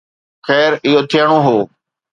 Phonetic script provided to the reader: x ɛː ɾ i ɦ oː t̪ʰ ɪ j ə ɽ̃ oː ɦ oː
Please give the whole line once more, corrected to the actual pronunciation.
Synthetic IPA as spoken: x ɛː ɾ ɪ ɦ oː t̪ʰ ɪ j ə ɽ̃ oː ɦ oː